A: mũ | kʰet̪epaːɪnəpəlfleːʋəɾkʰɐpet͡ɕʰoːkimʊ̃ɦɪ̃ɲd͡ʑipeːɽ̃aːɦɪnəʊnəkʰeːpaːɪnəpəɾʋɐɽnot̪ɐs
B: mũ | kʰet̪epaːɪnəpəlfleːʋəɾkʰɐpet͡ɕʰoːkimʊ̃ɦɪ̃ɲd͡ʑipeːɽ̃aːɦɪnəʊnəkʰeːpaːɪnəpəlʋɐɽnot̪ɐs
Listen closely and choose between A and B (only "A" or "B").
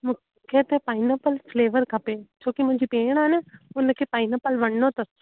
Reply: B